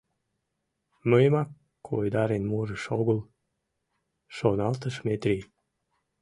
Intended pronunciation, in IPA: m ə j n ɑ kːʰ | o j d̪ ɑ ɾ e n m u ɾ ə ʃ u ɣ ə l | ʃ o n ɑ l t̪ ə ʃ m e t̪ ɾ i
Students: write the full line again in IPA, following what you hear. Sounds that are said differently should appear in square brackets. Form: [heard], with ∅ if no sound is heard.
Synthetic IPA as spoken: m ə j [m] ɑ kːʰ | o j d̪ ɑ ɾ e n m u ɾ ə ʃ [o] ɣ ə l | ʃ o n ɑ l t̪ ə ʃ m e t̪ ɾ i